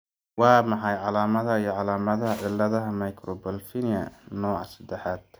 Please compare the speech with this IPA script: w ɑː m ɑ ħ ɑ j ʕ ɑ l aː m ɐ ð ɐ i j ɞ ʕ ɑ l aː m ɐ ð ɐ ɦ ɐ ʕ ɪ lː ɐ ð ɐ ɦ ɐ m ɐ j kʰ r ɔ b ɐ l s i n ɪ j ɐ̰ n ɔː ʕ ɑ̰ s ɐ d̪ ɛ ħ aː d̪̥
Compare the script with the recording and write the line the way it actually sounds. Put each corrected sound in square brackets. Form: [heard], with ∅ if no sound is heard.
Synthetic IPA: w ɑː m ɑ ħ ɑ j ʕ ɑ l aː m ɐ ð ɐ i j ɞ ʕ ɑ l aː m ɐ ð ɐ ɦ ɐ ʕ ɪ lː ɐ ð ɐ ɦ ɐ m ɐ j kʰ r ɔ b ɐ l [f] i n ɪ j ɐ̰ n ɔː ʕ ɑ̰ s ɐ d̪ ɛ ħ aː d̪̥